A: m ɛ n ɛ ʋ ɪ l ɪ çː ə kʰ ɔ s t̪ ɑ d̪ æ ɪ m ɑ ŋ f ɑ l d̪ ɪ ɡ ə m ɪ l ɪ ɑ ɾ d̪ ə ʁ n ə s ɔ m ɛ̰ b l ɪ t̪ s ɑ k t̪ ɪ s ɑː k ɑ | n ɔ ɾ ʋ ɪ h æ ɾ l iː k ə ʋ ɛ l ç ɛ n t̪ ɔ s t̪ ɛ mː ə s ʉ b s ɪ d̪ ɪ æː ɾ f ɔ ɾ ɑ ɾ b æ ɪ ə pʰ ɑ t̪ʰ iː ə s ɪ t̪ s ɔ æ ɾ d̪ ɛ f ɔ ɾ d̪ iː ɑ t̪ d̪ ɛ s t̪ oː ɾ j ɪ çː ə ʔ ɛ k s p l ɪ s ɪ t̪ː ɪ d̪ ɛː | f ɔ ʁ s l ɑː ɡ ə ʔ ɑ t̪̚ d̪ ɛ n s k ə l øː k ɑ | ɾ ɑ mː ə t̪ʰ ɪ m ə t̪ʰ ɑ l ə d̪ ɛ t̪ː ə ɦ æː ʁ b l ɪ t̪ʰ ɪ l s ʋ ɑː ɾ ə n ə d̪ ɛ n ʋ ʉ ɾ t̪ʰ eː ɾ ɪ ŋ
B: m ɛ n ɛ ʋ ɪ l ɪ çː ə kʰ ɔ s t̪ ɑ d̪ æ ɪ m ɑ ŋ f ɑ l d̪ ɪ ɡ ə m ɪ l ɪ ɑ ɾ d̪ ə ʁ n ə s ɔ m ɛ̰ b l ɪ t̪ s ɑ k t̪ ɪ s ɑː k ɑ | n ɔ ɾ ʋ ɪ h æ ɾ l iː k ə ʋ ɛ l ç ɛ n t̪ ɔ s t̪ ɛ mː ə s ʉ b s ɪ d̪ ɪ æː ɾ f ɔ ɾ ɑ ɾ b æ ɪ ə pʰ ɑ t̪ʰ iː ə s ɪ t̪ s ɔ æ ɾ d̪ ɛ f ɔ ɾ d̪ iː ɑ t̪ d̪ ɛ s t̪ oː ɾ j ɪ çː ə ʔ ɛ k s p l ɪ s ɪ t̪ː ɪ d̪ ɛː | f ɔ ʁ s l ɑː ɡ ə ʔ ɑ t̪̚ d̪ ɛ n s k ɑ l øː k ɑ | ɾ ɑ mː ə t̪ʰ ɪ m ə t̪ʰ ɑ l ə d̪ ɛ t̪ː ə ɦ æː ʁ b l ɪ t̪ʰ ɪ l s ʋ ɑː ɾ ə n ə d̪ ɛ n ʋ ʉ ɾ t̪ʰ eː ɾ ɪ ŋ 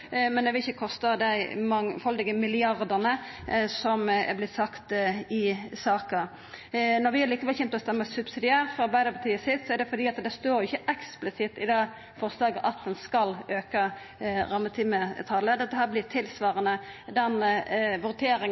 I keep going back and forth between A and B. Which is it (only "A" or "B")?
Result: B